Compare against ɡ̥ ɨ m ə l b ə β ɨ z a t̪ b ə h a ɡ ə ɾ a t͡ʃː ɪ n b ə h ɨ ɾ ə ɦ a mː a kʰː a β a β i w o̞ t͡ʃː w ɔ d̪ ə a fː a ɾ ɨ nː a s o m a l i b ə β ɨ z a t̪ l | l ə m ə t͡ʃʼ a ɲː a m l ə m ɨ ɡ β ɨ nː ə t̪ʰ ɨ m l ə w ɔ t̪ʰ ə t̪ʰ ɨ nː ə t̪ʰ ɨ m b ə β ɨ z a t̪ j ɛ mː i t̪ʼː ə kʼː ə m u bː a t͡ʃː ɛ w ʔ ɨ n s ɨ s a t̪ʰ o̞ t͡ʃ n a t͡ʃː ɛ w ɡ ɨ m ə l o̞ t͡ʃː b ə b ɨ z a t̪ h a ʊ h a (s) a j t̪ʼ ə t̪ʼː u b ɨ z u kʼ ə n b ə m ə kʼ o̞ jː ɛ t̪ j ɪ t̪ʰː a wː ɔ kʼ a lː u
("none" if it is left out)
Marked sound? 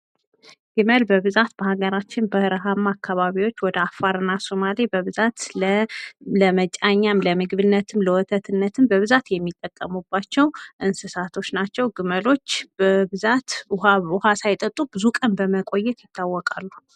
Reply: s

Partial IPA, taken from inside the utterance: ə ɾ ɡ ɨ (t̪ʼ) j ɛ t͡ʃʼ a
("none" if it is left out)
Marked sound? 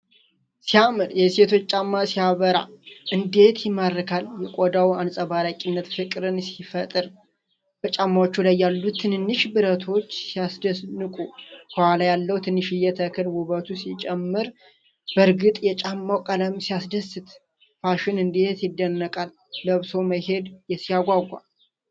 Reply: t̪ʼ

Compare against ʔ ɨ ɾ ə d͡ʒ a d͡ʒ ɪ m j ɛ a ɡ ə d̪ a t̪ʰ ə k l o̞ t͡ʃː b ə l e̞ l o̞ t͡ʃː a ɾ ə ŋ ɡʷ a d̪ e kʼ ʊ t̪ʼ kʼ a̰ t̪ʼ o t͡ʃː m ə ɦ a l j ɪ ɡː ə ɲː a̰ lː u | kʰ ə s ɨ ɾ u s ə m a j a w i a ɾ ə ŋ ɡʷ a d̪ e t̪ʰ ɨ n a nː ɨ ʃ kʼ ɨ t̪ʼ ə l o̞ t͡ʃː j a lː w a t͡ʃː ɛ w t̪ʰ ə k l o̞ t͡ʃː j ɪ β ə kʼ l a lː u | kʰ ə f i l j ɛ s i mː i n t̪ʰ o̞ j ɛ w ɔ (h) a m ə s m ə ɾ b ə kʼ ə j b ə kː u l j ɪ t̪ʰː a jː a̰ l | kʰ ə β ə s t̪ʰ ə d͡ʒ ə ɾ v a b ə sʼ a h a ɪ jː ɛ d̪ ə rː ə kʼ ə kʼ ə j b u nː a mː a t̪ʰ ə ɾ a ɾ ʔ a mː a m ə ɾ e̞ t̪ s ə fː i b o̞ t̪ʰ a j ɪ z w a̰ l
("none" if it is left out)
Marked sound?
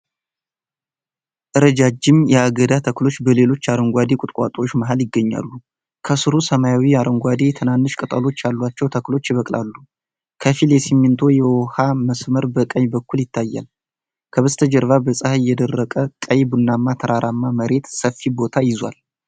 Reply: h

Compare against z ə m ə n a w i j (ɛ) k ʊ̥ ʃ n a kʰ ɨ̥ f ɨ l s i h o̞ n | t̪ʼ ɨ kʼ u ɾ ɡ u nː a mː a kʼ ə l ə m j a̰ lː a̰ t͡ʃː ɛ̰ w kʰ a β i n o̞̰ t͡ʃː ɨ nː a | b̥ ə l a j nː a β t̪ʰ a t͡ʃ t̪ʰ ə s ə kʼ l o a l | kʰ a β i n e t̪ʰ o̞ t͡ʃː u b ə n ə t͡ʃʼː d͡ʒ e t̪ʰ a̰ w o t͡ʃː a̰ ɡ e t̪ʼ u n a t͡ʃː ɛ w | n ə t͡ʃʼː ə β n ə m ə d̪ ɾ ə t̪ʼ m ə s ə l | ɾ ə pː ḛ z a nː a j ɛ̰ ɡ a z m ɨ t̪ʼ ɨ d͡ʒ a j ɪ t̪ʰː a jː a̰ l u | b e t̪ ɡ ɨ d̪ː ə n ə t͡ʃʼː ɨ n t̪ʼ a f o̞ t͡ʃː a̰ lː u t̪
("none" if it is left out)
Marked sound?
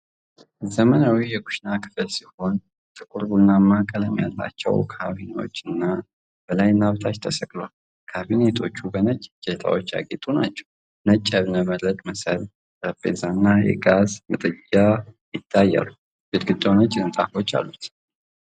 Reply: ɛ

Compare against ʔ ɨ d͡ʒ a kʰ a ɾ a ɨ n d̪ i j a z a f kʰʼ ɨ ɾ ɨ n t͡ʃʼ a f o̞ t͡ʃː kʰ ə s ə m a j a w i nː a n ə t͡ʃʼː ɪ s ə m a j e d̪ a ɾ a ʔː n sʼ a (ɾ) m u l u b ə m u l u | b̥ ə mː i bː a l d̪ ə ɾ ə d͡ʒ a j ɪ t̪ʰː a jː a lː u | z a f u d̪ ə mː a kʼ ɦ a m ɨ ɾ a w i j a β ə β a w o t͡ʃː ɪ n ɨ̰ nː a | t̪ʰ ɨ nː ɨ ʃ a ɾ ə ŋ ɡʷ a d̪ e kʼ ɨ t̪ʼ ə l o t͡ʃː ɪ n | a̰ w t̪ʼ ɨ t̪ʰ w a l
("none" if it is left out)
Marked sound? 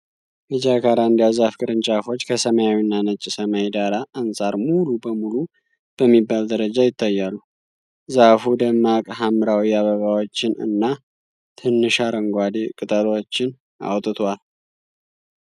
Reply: ɾ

